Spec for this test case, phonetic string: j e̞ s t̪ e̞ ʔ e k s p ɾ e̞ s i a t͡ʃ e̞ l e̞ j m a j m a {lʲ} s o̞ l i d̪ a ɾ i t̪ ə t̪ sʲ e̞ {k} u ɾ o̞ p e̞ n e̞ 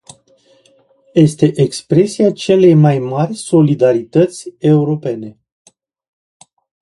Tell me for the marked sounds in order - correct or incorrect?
incorrect, incorrect

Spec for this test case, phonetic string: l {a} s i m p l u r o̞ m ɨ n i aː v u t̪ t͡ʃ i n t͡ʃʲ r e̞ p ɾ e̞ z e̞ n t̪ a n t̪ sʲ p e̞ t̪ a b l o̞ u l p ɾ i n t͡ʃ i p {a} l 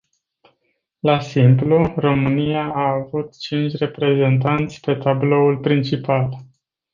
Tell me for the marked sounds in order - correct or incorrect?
correct, correct

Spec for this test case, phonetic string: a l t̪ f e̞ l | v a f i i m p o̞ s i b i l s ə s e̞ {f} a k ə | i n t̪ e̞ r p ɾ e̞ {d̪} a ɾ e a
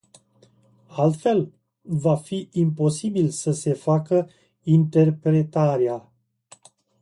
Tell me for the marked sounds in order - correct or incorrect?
correct, incorrect

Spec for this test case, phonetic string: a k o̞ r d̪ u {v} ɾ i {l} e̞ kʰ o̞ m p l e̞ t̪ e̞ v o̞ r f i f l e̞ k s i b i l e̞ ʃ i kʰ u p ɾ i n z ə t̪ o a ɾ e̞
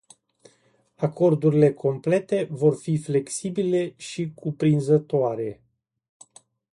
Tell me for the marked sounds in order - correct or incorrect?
incorrect, correct

